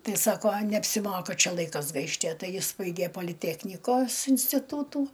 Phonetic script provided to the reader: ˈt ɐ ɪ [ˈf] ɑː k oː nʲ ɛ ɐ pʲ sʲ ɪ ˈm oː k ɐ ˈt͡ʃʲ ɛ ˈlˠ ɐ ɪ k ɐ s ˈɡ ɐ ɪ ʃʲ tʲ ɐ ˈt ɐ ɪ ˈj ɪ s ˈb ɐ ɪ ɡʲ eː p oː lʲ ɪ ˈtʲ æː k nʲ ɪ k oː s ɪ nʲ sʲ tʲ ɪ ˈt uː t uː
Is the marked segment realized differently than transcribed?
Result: yes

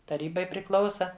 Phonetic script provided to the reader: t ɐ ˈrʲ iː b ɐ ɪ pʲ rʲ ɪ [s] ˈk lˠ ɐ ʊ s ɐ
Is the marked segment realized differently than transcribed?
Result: yes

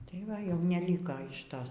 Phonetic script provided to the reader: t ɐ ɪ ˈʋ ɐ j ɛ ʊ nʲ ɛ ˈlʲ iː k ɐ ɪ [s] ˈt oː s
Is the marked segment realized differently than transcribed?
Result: yes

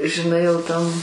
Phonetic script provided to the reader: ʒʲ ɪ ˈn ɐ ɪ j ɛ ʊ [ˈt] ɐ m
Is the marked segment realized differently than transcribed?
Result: no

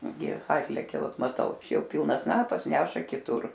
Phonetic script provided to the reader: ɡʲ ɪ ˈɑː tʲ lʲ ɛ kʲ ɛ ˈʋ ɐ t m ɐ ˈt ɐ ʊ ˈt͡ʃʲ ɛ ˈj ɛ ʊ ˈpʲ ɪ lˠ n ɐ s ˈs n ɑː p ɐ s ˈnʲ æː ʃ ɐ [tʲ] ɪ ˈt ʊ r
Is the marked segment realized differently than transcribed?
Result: yes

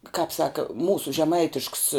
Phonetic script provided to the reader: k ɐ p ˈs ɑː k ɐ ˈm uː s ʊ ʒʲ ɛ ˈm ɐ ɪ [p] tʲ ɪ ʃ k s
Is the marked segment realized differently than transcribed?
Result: yes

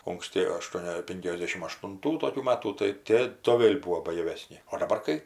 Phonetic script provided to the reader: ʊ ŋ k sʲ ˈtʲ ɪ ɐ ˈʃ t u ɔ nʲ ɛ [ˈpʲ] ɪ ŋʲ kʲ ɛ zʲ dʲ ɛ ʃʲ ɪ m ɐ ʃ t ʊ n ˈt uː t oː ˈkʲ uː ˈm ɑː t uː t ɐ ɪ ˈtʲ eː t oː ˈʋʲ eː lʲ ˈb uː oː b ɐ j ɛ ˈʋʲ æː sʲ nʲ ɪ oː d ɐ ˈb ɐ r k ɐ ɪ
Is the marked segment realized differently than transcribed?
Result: no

